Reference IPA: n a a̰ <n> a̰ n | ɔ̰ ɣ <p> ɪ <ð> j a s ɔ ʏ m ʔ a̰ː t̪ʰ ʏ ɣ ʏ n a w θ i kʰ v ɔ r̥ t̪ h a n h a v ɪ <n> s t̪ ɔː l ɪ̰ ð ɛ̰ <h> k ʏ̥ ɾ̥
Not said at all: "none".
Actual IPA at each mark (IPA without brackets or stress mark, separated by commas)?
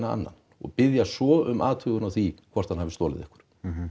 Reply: nː, p, ð, none, h